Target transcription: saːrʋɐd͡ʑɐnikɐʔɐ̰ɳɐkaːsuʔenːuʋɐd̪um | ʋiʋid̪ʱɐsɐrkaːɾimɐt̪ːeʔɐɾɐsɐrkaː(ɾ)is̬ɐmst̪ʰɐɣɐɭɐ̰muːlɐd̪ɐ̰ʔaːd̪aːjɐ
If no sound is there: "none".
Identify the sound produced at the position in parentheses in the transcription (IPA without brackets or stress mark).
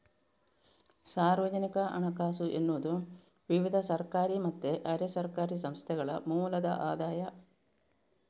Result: ɾ